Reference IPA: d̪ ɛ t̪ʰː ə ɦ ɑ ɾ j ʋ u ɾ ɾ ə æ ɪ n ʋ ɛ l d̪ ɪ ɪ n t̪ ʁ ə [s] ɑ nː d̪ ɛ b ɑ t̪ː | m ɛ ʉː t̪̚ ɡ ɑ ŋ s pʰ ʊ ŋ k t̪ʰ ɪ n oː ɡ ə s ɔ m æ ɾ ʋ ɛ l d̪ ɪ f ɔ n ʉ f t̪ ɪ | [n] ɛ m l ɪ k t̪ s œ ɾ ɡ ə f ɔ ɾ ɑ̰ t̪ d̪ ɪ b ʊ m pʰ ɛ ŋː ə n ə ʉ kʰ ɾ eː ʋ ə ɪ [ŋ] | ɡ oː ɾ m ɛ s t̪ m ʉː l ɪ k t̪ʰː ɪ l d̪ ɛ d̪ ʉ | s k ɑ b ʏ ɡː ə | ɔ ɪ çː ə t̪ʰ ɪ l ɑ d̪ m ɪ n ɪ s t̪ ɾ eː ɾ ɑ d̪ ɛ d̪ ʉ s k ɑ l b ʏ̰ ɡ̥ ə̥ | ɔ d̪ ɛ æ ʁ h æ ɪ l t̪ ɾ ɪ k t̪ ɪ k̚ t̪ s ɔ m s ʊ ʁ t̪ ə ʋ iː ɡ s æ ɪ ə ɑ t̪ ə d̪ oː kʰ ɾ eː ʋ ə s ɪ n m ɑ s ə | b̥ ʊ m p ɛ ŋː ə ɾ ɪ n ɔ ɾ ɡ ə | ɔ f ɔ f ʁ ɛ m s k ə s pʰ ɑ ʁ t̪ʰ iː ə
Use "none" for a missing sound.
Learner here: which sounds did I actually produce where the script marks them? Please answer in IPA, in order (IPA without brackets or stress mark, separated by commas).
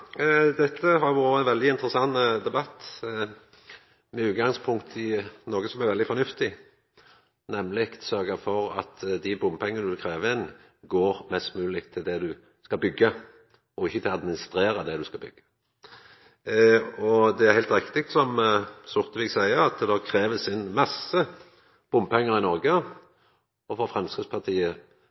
s, n, n